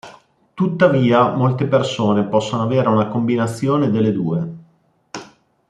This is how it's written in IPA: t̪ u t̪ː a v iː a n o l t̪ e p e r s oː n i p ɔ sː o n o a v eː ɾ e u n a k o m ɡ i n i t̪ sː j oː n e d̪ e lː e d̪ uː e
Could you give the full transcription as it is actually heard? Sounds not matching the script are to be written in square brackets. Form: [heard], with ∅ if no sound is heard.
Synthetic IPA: t̪ u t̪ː a v iː a [m] o l t̪ e p e r s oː n [e] p ɔ sː o n o a v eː ɾ e u n a k o m [b] i n [a] t̪ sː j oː n e d̪ e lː e d̪ uː e